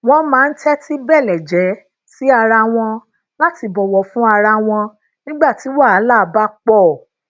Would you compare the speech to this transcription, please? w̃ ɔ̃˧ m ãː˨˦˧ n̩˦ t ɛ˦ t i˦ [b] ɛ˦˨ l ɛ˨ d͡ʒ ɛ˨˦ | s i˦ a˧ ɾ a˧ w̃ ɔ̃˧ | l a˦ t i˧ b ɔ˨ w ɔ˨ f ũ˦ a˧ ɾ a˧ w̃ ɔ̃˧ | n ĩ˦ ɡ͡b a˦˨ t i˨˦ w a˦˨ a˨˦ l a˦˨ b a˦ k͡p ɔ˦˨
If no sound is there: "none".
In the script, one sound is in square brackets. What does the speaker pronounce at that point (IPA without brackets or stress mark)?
b